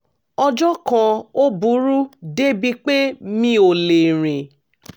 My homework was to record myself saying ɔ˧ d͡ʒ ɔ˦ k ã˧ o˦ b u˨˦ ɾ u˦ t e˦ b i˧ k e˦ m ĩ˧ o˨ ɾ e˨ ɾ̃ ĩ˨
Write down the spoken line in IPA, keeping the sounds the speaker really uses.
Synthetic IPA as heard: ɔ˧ d͡ʒ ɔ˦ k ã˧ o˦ b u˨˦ ɾ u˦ d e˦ b i˧ k͡p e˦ m ĩ˧ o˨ l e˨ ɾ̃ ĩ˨